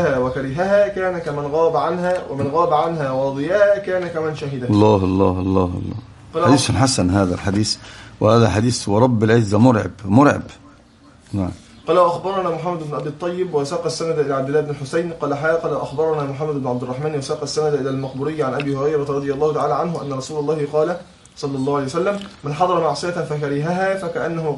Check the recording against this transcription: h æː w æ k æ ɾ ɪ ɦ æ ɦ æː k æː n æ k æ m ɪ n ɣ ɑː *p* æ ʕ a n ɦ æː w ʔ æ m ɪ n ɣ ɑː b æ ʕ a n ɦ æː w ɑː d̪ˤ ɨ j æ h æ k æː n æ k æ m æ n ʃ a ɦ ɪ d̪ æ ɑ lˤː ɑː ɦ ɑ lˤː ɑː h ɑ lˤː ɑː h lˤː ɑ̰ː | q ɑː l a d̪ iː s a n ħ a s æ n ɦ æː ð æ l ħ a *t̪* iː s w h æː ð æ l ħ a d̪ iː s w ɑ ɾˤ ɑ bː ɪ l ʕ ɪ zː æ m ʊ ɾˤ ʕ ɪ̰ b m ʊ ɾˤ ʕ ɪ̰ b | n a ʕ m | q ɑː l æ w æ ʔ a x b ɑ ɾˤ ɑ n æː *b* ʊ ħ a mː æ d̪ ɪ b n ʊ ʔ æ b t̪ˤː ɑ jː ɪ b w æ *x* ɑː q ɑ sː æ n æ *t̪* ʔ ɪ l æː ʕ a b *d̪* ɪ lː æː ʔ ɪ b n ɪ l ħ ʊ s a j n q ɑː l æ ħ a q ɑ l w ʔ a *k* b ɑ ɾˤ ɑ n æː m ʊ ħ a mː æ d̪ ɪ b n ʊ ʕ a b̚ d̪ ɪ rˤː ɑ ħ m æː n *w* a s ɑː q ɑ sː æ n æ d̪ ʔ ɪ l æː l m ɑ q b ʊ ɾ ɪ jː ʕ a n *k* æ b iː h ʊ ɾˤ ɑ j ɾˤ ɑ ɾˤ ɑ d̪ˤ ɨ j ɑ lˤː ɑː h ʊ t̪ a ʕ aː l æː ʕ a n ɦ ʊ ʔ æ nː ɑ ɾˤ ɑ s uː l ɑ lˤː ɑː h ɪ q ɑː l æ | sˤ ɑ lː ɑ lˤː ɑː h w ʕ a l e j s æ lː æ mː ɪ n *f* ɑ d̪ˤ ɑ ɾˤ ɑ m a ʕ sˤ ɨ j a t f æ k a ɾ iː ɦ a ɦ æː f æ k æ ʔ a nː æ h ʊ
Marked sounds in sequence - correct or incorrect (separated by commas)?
incorrect, incorrect, incorrect, incorrect, incorrect, correct, incorrect, correct, incorrect, incorrect